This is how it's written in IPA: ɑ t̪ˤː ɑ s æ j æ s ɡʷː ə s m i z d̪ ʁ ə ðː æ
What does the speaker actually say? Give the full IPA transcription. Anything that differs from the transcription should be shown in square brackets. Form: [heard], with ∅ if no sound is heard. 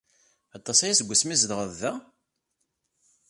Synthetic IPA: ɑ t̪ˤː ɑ s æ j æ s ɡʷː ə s m i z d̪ ʁ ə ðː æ